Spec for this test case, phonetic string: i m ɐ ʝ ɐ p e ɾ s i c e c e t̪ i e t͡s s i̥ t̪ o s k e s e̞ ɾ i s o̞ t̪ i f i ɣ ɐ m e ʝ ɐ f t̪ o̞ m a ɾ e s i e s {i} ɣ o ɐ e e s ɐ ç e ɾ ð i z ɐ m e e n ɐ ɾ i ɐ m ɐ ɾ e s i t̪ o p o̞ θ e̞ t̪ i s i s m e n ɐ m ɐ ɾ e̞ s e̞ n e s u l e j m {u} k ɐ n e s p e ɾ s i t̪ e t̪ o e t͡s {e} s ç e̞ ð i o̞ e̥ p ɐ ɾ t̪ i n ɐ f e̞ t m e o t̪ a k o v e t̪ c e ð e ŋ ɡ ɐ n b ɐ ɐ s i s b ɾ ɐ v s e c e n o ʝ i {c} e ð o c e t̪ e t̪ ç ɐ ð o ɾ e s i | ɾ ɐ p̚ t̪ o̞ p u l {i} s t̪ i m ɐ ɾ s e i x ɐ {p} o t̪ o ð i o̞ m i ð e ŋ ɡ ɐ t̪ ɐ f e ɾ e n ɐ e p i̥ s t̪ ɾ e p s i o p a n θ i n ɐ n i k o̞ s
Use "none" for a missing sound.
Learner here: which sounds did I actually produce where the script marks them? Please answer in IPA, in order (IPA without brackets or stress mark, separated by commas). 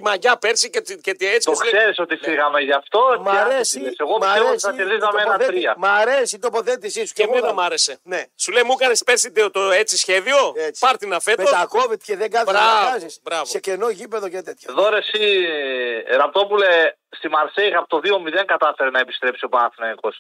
e, u, i, p, e, p